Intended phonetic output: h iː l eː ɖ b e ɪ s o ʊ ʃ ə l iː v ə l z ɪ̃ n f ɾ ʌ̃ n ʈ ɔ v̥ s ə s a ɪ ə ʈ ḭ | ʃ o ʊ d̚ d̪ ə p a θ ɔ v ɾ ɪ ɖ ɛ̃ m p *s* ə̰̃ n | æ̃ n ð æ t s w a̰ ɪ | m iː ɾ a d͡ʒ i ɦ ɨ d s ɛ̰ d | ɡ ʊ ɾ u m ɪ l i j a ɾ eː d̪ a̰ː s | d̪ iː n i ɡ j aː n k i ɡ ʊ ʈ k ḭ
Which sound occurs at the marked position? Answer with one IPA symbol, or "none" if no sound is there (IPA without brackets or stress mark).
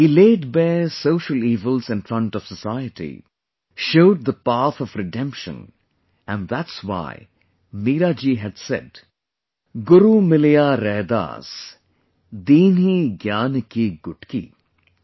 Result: ʃ